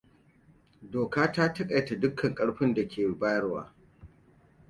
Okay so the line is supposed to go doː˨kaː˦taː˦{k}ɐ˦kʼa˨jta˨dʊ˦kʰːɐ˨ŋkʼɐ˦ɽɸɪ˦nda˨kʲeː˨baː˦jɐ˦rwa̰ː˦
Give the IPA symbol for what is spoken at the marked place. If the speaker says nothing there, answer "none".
t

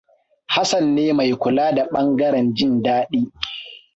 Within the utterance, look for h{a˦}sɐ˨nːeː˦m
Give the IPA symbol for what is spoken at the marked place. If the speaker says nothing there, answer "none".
a˦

